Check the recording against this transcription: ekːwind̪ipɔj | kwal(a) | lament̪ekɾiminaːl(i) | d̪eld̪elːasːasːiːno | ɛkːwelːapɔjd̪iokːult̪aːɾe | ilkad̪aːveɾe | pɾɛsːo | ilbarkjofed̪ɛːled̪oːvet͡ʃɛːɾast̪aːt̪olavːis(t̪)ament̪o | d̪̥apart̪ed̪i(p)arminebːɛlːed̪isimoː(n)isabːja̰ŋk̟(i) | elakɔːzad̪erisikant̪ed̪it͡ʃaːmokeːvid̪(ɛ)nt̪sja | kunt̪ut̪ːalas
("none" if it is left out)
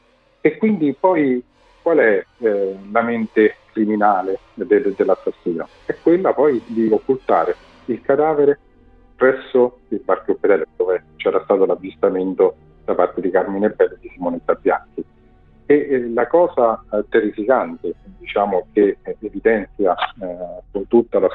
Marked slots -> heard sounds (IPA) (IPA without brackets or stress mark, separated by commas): ɛ, e, t̪, k, n, i, ɛ